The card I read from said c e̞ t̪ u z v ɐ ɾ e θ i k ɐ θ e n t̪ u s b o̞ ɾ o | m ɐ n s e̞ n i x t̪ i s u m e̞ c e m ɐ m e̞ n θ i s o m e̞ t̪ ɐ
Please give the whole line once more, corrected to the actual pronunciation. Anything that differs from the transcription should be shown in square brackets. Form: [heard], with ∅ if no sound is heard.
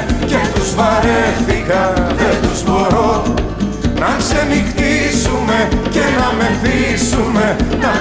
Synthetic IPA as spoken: c e̞ t̪ u z v ɐ ɾ e θ i k ɐ [ð] e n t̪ u [z] b o̞ ɾ o | [n] ɐ n s e̞ n i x t̪ i s u m e̞ c e [n] ɐ m e̞ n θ i s [u] m e̞ t̪ ɐ